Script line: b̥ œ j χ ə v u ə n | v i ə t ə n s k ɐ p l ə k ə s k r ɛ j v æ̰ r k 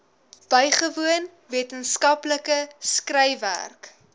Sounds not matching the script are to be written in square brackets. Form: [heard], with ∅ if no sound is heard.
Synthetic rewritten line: b̥ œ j χ ə v u ə n | v i ə t ə n s k ɐ p l ə k ə s k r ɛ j v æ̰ r k